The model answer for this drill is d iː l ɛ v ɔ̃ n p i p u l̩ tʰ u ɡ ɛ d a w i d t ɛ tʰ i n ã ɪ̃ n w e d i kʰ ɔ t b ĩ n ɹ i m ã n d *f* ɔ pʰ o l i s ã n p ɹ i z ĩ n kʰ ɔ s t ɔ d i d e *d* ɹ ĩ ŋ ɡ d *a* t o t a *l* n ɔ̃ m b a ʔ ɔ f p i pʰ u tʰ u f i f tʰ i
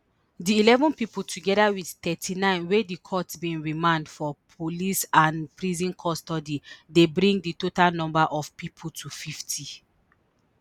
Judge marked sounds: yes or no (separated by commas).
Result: yes, no, no, yes